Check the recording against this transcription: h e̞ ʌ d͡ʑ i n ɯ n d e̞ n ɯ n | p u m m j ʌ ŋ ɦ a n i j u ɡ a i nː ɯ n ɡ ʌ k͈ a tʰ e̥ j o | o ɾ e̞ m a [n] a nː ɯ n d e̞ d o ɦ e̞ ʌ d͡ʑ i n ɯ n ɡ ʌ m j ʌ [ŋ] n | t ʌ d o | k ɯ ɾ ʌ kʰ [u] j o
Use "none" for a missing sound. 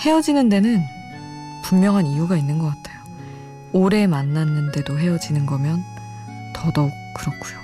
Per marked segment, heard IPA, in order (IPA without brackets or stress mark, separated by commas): nː, none, u